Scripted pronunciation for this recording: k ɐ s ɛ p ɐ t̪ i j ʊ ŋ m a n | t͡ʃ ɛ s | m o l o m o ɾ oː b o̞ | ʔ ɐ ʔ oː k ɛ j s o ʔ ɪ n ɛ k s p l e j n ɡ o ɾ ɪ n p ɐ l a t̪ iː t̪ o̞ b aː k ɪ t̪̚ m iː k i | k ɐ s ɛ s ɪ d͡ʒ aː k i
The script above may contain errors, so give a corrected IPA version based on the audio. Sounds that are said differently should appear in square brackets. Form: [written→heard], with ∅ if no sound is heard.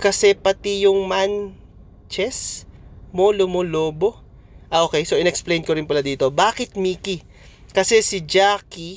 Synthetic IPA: k ɐ s ɛ p ɐ t̪ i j ʊ ŋ m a n | t͡ʃ ɛ s | m o l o m o [ɾ→l] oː b o̞ | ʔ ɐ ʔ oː k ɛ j s o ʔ ɪ n ɛ k s p l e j n [ɡ→k] o ɾ ɪ n p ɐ l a [t̪→d̪] iː t̪ o̞ b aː k ɪ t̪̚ m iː k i | k ɐ s ɛ s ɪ d͡ʒ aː k i